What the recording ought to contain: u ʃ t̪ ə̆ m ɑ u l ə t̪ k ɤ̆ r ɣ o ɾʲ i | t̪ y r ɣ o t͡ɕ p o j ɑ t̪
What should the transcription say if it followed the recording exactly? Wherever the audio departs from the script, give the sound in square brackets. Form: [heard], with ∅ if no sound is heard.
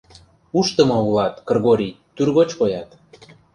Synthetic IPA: u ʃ t̪ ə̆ m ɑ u l [ɑ] t̪ k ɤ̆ r ɣ o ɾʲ i | t̪ y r ɣ o t͡ɕ [k] o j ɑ t̪